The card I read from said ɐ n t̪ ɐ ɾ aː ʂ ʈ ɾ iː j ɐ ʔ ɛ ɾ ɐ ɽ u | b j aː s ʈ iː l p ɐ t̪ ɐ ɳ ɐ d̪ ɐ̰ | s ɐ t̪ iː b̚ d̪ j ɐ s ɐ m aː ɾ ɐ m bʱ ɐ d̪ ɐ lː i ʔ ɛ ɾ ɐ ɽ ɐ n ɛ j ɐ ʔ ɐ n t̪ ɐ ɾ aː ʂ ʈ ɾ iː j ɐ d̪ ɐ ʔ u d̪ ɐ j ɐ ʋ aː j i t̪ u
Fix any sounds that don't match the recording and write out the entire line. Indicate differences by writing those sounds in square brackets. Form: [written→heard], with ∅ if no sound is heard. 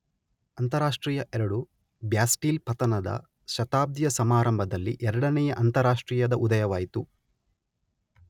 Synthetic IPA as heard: ɐ n t̪ ɐ ɾ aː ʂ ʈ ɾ iː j ɐ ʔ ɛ ɾ ɐ ɽ u | b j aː s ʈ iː l p ɐ t̪ ɐ [ɳ→n] ɐ d̪ ɐ̰ | [s→ʃ] ɐ t̪ [iː→aː] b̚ d̪ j ɐ s ɐ m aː ɾ ɐ m bʱ ɐ d̪ ɐ lː i ʔ ɛ ɾ ɐ ɽ ɐ n ɛ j ɐ ʔ ɐ n t̪ ɐ ɾ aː ʂ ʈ ɾ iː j ɐ d̪ ɐ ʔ u d̪ ɐ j ɐ ʋ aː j i t̪ u